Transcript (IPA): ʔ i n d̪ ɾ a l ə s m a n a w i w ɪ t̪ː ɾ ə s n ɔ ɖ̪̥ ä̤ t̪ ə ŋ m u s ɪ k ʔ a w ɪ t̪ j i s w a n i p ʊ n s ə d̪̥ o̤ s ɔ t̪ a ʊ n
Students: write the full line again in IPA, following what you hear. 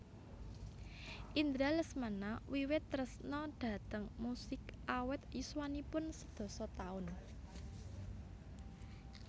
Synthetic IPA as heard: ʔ i n d̪ ɾ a l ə s m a n a w i w ɪ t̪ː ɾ ə s n ɔ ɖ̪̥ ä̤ t̪ ə ŋ m u s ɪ k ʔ a w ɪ t̪ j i s w a n i p ʊ n s ə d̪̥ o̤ s ɔ t̪ a ʊ n